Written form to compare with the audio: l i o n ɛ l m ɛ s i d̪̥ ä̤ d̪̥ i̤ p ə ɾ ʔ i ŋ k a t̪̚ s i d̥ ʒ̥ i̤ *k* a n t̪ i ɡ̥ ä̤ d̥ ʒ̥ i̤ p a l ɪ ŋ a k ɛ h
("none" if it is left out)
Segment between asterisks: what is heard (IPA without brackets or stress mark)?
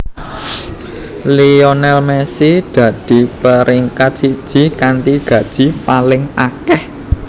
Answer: k